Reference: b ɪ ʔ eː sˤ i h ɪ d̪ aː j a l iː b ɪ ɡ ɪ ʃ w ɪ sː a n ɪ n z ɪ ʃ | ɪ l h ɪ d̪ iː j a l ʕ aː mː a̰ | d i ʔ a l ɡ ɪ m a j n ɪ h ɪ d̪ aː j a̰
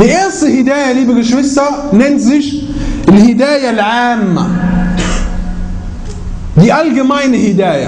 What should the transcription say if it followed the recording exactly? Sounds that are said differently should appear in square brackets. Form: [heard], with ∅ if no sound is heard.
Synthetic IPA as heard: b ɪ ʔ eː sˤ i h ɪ d̪ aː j a l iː b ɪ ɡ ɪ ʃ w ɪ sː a n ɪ n z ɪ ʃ | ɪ l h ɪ d̪ [aː] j a l ʕ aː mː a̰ | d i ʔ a l ɡ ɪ m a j n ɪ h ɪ d̪ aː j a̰